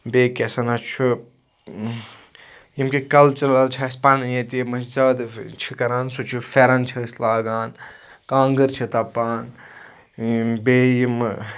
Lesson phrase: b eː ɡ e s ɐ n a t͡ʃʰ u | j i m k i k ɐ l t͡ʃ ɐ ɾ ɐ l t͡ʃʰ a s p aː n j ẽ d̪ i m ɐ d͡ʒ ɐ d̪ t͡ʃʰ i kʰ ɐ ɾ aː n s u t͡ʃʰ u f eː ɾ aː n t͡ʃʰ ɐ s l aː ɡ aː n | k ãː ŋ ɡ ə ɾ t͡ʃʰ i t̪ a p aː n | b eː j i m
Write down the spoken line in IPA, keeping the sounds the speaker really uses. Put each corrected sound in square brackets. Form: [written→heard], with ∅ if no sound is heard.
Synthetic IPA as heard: b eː [ɡ→k] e s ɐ n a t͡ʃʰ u | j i m k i k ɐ l t͡ʃ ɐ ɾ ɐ l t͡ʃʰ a s p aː n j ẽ [d̪→t̪] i m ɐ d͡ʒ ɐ d̪ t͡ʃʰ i [kʰ→k] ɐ ɾ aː n s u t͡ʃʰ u f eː ɾ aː n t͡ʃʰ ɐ s l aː ɡ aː n | k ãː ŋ ɡ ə ɾ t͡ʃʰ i t̪ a p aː n | b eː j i m